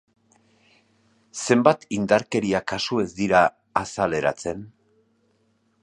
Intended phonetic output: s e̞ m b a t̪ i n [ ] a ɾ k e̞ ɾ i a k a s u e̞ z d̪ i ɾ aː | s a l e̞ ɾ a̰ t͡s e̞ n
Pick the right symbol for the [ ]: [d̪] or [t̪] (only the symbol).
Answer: d̪